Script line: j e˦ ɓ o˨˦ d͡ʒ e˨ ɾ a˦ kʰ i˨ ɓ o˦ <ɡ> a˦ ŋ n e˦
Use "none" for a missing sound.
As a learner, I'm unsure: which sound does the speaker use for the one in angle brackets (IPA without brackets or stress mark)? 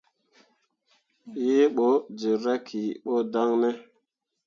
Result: d